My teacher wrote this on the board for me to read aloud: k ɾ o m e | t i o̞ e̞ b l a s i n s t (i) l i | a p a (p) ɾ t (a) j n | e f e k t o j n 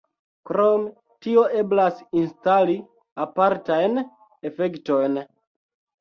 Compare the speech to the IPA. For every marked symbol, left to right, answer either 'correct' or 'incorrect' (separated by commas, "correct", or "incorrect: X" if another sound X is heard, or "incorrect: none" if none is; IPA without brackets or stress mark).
incorrect: a, incorrect: none, correct